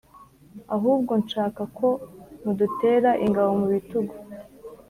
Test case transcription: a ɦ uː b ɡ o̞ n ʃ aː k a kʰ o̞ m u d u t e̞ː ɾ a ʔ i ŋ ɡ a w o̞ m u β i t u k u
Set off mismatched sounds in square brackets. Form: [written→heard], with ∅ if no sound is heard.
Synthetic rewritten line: a ɦ uː b ɡ o̞ n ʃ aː k a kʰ o̞ m u d u t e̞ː ɾ a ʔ i ŋ ɡ a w o̞ m u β i t u [k→ɡ] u